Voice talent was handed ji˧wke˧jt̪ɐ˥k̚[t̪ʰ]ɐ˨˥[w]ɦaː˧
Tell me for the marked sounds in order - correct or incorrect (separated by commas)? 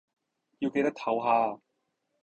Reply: correct, correct